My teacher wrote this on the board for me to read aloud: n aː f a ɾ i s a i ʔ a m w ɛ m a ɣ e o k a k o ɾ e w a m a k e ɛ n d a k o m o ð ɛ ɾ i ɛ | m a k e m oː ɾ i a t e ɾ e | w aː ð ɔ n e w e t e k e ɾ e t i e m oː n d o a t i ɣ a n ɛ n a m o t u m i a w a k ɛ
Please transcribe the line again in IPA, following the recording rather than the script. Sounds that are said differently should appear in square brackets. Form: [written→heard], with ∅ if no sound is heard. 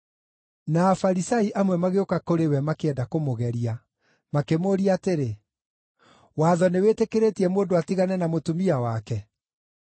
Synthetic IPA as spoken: n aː f a ɾ i s a i ʔ a m w ɛ m a ɣ e o k a k o ɾ e w [a→ɛ] m a k e ɛ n d a k o m o [ð→ɣ] ɛ ɾ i [ɛ→a] | m a k e m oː ɾ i a t e ɾ e | w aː ð ɔ n e w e t e k e ɾ e t i [e→ɛ] m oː n d o a t i ɣ a n ɛ n a m o t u m i a w a k ɛ